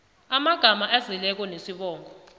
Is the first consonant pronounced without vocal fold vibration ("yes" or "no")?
no